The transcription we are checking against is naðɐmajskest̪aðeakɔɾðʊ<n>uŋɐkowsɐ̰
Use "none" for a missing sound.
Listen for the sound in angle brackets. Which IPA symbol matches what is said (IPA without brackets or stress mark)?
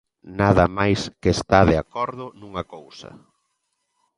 n